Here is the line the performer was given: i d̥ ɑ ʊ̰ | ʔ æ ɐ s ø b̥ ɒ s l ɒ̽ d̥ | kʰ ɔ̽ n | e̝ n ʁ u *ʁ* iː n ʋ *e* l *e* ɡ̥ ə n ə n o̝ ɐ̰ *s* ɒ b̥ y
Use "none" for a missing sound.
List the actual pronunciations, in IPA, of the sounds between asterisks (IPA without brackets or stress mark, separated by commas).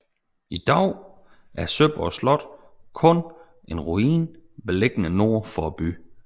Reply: none, e, e, f